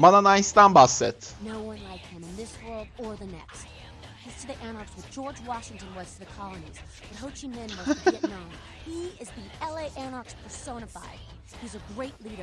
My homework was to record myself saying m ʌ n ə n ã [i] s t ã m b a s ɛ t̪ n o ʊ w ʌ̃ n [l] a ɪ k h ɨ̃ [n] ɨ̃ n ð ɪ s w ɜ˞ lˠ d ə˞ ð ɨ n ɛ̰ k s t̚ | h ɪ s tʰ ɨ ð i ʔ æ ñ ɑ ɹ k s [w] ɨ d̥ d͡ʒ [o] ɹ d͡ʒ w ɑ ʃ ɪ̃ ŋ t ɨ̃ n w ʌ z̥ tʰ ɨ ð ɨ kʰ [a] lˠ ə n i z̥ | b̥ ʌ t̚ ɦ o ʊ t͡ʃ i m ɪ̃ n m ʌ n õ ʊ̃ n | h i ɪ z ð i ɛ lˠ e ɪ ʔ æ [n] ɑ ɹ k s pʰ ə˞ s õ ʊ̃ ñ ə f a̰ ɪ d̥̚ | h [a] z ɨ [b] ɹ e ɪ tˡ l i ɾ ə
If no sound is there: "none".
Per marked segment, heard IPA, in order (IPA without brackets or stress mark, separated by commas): ɪ, l, m, w, ɔ, ɑ, n, i, ɡ